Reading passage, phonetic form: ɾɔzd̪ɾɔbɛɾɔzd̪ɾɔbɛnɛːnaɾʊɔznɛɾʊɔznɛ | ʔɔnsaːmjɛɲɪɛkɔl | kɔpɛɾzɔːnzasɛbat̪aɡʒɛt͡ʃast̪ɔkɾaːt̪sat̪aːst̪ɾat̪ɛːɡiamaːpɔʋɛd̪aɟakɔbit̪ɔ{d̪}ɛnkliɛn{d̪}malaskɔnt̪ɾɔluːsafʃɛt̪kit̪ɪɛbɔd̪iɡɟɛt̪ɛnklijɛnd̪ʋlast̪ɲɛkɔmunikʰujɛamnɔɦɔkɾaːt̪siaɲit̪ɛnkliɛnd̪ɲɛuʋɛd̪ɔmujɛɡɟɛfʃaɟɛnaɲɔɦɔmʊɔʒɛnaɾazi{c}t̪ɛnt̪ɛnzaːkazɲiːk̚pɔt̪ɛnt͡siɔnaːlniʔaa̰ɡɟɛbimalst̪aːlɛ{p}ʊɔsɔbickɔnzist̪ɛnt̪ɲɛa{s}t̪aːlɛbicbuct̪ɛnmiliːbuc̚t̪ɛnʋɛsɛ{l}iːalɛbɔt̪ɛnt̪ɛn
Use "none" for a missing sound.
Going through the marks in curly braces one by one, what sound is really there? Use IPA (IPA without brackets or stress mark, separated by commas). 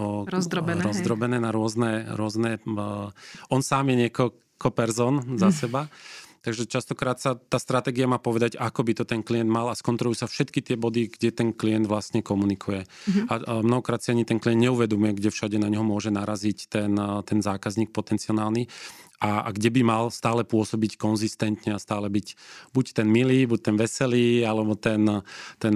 t̪, d̪, c, p, s, l